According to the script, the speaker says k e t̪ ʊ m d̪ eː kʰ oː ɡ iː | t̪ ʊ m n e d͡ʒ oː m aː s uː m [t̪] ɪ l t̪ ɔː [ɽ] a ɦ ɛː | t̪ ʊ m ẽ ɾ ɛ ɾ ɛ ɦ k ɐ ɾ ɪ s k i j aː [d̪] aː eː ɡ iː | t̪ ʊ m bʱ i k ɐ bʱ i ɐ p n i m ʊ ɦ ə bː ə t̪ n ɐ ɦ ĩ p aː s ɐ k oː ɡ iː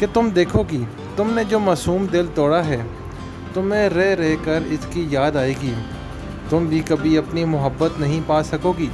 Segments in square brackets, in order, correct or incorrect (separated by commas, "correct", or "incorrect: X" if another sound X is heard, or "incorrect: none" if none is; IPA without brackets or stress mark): incorrect: d̪, correct, correct